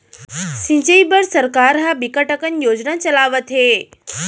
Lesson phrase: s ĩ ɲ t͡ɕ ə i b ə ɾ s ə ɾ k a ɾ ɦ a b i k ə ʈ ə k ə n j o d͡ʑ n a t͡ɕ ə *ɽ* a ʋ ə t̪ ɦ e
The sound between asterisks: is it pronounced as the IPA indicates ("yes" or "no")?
no